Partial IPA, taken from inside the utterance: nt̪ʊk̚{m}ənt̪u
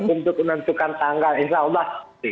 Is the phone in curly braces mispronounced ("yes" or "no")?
yes